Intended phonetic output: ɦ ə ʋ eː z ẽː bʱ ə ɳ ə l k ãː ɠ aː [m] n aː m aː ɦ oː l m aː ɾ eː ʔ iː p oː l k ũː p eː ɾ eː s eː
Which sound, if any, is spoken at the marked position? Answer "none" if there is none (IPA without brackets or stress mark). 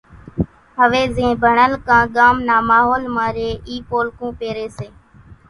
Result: m